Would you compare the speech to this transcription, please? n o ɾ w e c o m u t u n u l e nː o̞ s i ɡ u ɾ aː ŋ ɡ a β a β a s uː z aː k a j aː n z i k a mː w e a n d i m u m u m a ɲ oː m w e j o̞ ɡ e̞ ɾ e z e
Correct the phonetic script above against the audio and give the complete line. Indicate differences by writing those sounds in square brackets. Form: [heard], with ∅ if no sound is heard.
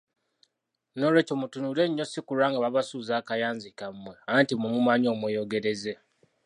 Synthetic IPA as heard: n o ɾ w e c o m u t u n u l e [ɲː] o̞ s i [k] u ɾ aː ŋ ɡ a β a β a s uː z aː k a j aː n z i k a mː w e a n [t] i m u m u m a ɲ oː m w e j o̞ ɡ e̞ ɾ e z e